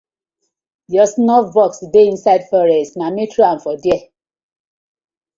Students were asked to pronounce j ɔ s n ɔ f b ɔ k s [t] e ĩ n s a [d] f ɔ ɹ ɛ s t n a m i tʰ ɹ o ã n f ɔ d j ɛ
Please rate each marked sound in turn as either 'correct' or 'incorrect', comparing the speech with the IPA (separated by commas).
incorrect, correct